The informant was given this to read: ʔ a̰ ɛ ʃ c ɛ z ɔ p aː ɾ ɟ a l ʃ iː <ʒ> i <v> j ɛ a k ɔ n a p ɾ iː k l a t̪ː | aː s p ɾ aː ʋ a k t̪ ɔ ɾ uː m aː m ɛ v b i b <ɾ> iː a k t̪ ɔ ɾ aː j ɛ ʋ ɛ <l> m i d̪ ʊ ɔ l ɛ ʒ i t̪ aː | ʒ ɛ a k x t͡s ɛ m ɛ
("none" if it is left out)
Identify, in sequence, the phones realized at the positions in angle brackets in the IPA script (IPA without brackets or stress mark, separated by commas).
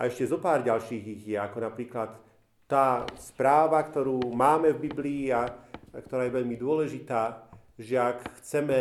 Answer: ɣ, ɣ, l, ʎ